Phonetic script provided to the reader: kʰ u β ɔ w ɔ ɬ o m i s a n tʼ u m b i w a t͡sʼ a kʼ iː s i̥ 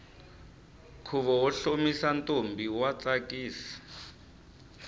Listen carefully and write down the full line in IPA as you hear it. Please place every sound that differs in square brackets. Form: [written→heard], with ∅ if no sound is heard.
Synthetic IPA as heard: kʰ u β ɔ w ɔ ɬ o m i s a n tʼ [u→o] m b i w a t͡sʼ a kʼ iː s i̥